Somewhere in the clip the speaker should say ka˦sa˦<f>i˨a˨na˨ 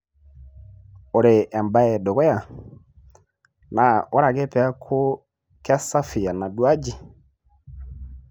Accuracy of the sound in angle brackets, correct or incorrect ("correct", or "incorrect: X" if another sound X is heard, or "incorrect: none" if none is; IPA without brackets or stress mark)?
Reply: correct